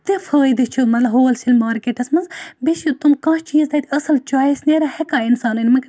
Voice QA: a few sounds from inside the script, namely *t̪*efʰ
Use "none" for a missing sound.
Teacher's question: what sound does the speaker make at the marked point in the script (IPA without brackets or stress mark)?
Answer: t̪